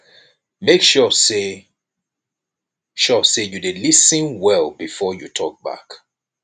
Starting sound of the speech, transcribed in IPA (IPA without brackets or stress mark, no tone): m